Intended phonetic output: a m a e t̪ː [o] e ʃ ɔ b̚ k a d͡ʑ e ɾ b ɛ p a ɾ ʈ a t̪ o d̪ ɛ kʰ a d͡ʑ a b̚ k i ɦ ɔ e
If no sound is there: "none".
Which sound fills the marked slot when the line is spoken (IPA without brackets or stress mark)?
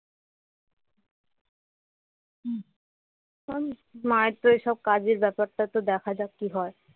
o